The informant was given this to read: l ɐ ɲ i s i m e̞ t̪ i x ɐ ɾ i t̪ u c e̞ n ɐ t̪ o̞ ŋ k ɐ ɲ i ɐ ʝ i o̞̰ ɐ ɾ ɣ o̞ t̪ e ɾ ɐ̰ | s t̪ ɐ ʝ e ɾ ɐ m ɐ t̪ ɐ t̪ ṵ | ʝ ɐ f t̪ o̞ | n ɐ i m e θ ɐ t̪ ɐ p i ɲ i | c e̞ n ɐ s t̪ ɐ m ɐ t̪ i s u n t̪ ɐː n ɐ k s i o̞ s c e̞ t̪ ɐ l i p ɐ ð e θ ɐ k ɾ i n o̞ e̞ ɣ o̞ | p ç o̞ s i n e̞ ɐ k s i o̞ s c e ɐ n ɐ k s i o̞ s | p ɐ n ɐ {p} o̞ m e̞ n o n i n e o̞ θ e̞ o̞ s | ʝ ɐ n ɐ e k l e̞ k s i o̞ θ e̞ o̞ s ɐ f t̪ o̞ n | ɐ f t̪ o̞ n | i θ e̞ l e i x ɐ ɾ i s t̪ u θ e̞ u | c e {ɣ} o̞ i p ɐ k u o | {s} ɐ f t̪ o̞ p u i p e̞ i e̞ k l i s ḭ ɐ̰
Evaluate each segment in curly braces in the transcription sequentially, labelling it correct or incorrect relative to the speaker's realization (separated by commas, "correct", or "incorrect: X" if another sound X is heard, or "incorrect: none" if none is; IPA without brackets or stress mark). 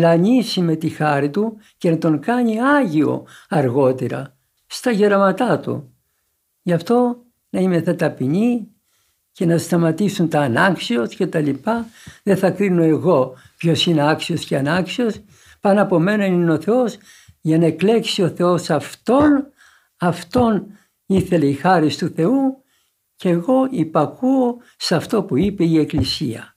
correct, correct, correct